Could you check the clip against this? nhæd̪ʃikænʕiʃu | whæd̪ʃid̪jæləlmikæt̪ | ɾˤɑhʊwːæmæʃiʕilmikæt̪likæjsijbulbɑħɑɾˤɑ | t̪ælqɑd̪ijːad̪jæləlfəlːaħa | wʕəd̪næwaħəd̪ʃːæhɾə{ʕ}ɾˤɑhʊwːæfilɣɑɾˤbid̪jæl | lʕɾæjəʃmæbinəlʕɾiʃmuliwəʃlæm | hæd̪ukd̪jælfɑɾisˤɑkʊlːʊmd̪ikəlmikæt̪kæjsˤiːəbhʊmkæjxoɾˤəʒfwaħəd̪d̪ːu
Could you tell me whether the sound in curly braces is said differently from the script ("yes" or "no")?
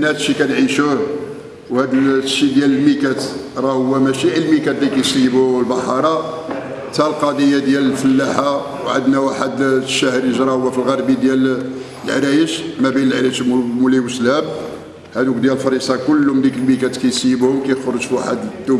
yes